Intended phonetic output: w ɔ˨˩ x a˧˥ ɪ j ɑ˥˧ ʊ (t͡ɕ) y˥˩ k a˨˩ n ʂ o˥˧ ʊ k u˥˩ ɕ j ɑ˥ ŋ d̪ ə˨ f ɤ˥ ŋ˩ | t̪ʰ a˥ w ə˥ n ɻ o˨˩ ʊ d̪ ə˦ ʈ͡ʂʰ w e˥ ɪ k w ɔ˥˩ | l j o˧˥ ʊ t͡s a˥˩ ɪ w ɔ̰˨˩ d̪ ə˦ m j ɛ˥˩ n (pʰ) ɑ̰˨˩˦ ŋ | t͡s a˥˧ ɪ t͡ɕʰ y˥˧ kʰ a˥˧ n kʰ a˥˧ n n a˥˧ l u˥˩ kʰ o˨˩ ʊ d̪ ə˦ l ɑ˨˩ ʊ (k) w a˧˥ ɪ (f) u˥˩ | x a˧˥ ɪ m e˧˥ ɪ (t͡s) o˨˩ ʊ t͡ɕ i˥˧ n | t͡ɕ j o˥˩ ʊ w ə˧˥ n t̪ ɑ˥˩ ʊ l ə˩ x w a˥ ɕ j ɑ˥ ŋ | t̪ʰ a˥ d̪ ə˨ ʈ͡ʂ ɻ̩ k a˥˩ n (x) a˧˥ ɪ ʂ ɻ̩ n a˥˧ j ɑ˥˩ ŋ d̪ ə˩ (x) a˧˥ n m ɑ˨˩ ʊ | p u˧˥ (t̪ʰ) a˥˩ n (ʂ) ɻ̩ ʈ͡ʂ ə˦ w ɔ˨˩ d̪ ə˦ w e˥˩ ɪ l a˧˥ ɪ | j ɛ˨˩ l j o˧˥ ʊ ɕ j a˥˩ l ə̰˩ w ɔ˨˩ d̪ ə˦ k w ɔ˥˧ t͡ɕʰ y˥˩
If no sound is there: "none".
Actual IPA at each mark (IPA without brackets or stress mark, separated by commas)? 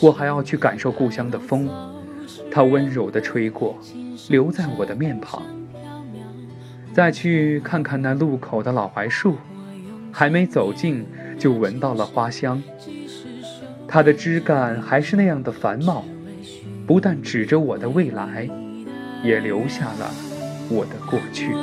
t͡ɕʰ, pʰ, x, ʂ, t͡s, x, f, t̪, ʈ͡ʂ